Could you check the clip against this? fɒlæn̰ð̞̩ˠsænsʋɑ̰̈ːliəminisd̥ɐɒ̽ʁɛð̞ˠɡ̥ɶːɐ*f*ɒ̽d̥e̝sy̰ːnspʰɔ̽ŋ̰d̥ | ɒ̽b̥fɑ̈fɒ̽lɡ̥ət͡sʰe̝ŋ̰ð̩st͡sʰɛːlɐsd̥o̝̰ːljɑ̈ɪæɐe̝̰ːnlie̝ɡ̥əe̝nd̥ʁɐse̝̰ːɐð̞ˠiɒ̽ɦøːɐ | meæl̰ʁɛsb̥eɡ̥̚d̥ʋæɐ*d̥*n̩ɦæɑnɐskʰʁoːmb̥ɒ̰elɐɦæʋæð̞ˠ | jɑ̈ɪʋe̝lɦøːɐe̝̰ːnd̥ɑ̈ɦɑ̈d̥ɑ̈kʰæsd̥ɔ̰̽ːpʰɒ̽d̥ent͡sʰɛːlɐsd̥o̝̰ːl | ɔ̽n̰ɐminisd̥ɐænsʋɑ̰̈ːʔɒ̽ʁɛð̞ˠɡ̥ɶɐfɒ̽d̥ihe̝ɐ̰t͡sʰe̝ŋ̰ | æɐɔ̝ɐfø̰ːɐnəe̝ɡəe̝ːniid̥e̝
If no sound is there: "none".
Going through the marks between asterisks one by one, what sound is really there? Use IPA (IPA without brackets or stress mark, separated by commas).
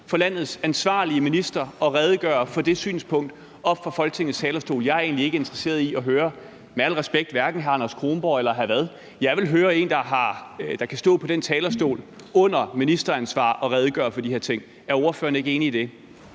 f, ɡ̥